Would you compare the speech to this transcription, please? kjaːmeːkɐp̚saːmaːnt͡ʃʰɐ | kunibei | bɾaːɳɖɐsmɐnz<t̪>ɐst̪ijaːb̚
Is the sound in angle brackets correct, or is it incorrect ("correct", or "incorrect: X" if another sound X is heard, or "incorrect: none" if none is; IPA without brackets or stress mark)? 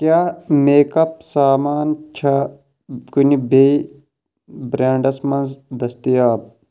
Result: incorrect: d̪